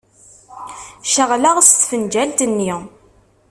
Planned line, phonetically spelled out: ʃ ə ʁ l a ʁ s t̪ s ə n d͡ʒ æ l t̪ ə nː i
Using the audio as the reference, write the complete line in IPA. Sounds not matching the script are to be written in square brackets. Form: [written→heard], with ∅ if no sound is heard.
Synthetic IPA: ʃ ə ʁ l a ʁ s t̪ [s→f] ə n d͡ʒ æ l t̪ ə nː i